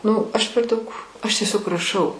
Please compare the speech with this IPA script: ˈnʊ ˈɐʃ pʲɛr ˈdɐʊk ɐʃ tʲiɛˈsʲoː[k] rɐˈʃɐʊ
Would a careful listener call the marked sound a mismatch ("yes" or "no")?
no